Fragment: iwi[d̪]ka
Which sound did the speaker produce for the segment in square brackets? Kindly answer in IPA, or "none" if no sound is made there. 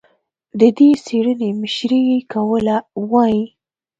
none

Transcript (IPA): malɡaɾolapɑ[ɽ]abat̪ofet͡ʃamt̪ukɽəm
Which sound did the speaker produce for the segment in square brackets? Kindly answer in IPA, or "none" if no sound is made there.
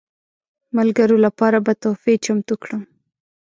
ɾ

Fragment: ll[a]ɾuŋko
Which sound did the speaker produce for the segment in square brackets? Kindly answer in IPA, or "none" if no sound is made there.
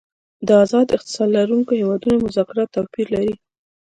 a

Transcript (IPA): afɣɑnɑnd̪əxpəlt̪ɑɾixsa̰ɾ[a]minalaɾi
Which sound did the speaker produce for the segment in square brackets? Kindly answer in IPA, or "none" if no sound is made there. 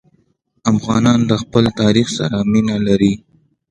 a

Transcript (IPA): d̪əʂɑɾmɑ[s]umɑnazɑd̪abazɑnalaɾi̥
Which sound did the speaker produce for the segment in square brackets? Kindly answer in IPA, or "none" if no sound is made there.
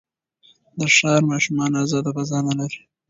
ʃ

